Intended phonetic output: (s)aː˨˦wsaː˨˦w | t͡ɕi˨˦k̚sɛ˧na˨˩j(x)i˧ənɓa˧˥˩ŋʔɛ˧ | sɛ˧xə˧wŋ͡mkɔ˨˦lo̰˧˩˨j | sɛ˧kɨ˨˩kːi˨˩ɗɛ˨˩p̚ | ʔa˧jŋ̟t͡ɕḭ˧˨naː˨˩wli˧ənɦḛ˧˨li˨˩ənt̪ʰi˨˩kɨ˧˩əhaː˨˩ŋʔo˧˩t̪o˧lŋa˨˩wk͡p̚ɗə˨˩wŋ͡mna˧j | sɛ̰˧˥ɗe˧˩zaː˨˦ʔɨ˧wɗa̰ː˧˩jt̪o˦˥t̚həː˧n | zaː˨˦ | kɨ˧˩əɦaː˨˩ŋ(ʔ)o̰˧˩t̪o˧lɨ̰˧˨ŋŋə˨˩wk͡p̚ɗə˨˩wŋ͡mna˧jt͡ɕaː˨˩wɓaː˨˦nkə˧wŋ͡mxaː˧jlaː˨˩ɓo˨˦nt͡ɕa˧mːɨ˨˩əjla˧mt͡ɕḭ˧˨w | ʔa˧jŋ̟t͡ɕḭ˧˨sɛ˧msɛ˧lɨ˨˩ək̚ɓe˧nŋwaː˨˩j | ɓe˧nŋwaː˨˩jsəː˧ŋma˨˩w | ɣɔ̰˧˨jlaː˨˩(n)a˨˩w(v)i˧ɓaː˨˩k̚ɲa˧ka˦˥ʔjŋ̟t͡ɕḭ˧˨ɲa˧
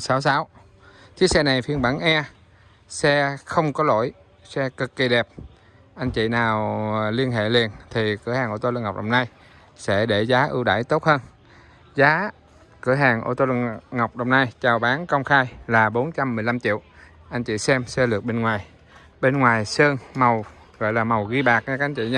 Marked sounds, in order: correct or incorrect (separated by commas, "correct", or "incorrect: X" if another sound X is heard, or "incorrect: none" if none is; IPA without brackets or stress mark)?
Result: correct, incorrect: f, correct, incorrect: m, incorrect: ɣ